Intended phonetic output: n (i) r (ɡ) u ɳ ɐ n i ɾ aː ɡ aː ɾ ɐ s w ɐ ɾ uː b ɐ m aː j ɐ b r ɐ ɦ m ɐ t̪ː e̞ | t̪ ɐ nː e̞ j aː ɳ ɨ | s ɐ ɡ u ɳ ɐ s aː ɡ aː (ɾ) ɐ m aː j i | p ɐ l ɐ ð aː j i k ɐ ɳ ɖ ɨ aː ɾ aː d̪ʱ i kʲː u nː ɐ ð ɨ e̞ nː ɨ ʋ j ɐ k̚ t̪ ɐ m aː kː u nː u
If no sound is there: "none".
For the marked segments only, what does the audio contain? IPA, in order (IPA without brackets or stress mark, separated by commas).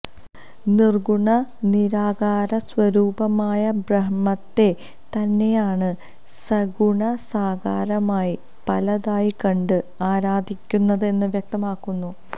i, ɡ, ɾ